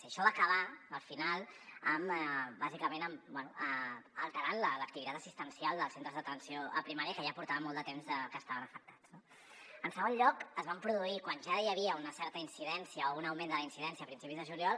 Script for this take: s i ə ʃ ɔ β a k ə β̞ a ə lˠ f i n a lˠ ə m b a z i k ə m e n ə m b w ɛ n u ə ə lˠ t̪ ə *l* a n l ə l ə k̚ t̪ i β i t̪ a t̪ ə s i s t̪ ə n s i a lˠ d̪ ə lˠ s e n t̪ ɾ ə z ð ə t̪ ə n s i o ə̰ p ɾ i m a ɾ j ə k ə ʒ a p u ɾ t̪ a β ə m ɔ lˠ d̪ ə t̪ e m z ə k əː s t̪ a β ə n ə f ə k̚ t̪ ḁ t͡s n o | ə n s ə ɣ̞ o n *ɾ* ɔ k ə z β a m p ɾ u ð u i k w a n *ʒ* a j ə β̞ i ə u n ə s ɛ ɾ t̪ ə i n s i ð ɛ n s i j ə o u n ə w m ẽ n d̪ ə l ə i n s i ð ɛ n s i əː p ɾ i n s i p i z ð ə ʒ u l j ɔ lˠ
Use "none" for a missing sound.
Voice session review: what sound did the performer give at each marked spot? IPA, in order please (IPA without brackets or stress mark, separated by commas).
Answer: ɾ, ʎ, ʒ